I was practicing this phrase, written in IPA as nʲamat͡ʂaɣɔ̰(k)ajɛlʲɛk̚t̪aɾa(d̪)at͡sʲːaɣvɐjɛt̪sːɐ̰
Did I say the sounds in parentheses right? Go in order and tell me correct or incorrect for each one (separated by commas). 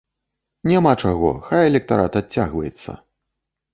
incorrect, incorrect